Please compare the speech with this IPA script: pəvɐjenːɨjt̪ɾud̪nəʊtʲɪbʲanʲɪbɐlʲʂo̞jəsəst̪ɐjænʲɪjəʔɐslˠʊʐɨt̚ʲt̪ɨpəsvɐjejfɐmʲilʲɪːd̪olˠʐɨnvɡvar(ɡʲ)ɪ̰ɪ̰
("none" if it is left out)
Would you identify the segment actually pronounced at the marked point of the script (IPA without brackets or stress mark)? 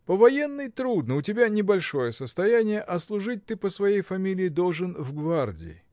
dʲ